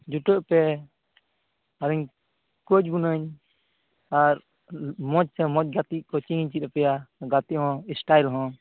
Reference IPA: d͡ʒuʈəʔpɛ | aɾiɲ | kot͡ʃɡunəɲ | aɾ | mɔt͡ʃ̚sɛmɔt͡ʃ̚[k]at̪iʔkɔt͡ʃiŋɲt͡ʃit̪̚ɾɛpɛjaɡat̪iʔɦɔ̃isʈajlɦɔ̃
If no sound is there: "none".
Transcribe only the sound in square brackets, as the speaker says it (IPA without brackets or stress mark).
ɡ